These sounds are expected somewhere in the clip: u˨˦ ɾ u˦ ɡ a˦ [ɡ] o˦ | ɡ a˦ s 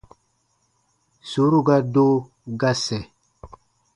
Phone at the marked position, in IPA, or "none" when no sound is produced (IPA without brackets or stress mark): d